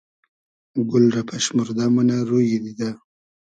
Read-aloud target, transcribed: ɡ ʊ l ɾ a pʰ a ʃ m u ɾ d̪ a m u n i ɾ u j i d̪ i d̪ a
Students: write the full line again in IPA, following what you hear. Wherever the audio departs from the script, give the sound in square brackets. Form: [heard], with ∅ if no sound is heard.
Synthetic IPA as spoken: ɡ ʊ l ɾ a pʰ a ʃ m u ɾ d̪ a m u n [a] ɾ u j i d̪ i d̪ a